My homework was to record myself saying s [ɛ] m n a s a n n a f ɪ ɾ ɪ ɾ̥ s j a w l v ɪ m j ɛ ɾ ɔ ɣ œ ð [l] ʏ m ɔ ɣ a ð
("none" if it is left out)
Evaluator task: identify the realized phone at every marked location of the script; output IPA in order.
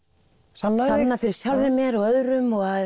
a, ɾ

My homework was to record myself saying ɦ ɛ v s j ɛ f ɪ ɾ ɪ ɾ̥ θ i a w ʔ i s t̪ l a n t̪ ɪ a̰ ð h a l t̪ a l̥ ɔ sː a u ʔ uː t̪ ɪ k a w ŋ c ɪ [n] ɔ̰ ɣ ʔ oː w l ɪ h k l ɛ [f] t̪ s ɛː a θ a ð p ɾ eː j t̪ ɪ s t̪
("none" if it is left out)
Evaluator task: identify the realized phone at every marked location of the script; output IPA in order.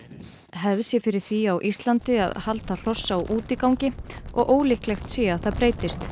none, x

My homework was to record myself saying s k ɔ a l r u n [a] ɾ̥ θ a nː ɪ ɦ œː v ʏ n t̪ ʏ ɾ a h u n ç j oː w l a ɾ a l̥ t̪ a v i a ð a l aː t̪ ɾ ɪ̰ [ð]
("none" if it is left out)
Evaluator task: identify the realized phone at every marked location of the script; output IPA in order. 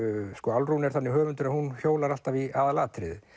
ɛ, ð

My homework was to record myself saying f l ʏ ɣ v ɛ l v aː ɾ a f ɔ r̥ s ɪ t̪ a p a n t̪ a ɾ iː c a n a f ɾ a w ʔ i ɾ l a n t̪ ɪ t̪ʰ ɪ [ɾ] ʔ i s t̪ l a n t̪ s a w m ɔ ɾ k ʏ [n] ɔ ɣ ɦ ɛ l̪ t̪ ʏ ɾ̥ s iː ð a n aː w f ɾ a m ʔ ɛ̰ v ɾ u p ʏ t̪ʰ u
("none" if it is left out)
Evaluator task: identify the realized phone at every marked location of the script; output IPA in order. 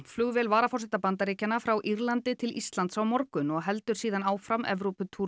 l, n

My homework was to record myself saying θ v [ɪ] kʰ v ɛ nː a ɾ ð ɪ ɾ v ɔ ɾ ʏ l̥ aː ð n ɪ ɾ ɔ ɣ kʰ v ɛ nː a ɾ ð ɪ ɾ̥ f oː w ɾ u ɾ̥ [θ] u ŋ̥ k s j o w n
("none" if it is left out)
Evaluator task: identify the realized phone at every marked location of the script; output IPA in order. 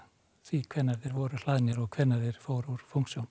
i, f

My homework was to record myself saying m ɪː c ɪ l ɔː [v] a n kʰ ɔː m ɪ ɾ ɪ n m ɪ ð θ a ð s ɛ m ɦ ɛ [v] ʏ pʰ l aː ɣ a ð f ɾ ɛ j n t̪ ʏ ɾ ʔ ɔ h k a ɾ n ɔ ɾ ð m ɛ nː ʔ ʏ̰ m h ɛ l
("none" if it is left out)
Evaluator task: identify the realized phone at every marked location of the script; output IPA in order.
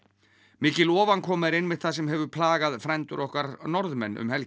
v, v

